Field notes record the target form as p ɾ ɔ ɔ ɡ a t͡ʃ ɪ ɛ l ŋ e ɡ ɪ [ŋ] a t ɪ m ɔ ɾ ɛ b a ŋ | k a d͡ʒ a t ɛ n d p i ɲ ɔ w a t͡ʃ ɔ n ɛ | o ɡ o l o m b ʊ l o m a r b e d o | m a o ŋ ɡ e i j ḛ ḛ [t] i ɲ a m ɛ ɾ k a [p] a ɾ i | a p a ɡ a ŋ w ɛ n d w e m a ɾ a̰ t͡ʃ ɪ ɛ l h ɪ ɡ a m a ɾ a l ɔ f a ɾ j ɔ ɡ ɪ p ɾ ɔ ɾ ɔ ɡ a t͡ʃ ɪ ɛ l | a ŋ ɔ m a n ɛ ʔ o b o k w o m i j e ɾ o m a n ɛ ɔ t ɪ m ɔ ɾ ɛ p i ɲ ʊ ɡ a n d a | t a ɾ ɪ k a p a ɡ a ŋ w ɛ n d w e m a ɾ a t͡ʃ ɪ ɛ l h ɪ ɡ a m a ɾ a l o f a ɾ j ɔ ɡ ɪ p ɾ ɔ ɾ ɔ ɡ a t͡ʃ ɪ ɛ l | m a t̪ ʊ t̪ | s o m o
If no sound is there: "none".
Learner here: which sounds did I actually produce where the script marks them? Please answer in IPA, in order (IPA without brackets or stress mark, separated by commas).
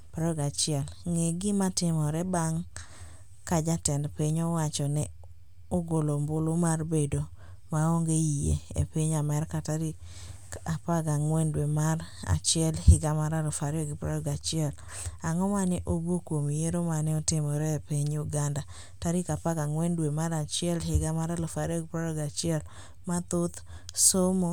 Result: m, p, t